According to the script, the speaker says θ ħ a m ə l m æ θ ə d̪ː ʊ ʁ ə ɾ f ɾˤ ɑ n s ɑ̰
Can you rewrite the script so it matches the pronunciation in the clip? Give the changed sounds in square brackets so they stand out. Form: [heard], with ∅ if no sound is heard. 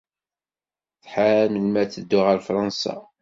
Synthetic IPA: θ ħ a m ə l m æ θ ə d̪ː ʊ ʁ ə ɾ f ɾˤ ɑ n s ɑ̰